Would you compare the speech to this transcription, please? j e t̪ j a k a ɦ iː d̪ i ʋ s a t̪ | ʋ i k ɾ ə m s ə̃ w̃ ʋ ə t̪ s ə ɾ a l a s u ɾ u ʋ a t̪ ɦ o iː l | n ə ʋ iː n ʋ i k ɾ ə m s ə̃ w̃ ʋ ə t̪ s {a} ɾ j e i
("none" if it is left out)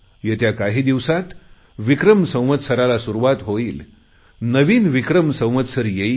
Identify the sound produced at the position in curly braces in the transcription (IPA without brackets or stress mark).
ə